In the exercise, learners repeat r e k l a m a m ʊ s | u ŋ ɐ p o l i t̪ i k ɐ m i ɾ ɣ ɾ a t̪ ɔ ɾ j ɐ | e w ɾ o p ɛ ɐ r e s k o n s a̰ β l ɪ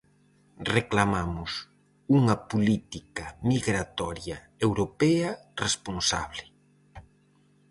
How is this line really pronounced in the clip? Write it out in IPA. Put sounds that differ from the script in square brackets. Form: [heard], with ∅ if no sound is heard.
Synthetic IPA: r e k l a m a m ʊ s | u ŋ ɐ p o l i t̪ i k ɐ m i [∅] ɣ ɾ a t̪ ɔ ɾ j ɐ | e w ɾ o p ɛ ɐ r e s [p] o n s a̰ β l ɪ